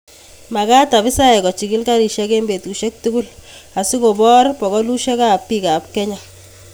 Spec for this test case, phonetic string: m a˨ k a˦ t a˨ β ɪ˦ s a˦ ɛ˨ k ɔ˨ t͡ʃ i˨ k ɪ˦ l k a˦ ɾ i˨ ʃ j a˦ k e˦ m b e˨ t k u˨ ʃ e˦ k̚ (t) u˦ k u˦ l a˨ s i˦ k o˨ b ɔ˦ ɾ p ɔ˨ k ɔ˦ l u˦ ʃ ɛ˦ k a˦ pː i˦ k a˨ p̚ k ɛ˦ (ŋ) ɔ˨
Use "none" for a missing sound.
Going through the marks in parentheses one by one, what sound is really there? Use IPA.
t, ɲ

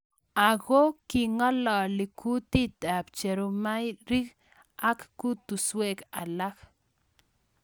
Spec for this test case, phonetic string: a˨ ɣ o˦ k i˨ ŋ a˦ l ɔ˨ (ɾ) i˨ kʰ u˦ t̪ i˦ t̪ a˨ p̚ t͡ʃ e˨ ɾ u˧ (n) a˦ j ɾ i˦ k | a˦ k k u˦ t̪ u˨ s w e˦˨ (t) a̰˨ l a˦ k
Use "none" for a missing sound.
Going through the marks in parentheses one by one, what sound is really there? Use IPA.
l, m, k

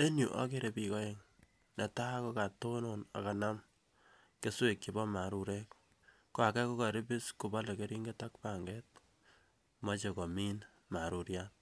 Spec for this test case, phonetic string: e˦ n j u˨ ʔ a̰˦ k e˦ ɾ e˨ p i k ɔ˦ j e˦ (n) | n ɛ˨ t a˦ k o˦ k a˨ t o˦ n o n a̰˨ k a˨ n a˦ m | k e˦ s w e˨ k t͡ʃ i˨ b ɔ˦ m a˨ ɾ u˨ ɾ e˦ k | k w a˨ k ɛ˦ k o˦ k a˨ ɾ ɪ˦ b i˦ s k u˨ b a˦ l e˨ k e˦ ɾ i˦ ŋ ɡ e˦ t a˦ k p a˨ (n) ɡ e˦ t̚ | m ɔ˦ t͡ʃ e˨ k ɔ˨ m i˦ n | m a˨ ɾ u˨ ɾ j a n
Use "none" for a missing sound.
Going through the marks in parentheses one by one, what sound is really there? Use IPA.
ŋ, ŋ

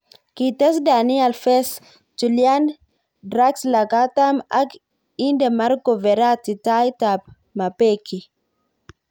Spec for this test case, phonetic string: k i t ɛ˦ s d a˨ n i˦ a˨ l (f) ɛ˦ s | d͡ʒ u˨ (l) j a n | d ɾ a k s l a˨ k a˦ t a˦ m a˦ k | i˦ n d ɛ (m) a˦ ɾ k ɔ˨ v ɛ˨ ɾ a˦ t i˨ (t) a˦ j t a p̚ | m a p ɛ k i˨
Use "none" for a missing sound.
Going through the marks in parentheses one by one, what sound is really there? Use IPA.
f, l, m, t

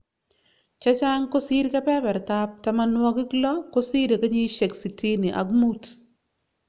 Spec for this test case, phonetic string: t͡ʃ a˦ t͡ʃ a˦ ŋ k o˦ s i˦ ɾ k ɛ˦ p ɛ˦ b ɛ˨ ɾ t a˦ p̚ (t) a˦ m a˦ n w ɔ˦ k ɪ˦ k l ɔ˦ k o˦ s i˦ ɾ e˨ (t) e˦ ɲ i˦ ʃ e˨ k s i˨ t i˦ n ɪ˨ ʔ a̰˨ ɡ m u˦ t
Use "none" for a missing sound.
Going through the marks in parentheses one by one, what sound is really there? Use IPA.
t, k

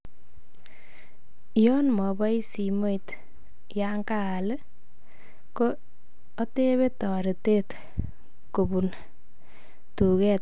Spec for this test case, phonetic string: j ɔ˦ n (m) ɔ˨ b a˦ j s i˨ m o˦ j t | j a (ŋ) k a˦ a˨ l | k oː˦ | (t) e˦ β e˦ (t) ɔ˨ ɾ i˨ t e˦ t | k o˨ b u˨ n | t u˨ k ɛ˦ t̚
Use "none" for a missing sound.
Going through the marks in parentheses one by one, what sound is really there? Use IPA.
m, ŋ, t, t

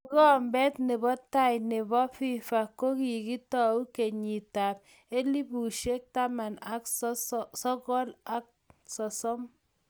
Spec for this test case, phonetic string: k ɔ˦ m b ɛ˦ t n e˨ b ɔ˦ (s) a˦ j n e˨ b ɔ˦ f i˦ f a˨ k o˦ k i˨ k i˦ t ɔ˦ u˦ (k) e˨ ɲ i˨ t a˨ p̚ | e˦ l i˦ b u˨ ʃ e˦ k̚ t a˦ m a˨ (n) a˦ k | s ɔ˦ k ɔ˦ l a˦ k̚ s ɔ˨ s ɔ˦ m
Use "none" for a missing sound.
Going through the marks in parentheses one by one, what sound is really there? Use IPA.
t, k, n

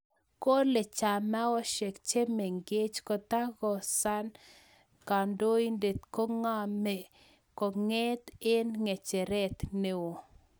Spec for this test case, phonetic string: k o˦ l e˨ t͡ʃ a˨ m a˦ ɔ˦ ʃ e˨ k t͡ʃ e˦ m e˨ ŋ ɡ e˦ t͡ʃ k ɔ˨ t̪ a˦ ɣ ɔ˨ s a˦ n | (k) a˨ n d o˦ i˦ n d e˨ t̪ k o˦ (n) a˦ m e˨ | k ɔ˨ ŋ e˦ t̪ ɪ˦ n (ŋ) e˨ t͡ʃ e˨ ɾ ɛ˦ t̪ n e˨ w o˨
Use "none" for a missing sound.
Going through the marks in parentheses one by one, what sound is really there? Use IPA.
k, ŋ, ŋ

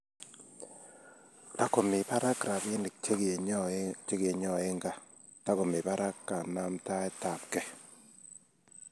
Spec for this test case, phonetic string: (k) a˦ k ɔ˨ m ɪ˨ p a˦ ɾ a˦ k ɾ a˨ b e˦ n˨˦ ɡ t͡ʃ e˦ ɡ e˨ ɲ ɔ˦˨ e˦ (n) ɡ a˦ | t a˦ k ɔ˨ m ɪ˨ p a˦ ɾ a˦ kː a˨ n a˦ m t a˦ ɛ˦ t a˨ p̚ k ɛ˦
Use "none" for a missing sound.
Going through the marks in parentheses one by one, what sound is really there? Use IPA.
t, ŋ

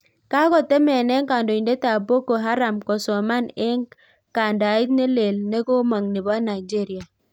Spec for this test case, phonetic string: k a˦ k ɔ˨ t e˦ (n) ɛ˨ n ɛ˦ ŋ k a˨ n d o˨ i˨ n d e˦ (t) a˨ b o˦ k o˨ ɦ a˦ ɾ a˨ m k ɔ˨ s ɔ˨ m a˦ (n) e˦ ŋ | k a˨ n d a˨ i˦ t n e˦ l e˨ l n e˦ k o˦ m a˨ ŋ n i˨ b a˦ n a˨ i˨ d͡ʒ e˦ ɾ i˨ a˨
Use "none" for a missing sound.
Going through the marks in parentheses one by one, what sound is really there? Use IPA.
m, t, n

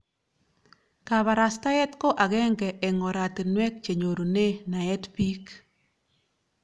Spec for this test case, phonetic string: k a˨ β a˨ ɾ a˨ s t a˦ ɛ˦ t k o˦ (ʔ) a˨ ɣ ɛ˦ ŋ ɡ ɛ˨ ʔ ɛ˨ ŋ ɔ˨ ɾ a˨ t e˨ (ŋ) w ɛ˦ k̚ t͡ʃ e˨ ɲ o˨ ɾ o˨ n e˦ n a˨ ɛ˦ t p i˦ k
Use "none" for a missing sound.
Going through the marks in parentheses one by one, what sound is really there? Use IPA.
ʔ, n

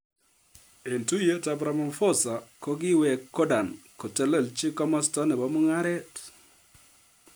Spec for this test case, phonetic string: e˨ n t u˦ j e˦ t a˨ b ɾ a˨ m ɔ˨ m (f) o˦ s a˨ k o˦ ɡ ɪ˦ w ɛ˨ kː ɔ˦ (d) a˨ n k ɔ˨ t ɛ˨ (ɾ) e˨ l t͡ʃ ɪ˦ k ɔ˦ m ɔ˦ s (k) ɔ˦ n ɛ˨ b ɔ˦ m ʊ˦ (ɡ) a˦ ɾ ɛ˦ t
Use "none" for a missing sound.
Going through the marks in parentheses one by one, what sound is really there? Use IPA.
f, d, l, t, ŋ

